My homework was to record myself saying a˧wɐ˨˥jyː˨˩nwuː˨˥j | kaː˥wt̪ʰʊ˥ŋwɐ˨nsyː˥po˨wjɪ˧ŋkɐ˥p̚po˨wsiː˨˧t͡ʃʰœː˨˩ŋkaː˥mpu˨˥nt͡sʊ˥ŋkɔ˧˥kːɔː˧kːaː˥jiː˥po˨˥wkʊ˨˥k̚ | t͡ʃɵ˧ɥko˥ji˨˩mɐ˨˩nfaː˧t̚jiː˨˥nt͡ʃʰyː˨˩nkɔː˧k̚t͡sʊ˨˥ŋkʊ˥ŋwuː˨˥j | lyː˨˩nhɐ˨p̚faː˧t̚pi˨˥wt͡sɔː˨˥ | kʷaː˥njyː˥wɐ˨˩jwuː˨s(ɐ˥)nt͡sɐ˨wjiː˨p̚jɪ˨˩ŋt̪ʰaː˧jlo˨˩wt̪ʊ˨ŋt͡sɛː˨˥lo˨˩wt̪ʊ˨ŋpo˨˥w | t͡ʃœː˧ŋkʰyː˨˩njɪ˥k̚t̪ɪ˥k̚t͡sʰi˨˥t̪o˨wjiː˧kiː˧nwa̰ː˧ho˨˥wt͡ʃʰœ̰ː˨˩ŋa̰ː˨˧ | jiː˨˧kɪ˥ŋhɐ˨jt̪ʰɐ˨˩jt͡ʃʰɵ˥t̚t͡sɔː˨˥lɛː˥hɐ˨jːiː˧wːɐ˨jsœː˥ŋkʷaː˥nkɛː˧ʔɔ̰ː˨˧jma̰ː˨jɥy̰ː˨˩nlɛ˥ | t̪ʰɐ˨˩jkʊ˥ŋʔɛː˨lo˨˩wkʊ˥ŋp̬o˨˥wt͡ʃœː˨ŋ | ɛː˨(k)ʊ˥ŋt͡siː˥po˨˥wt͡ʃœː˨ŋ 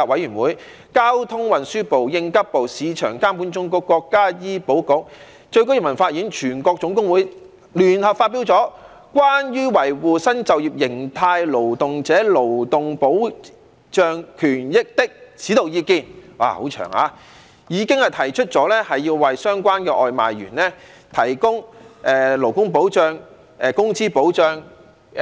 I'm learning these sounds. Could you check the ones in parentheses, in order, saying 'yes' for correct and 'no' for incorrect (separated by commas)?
yes, yes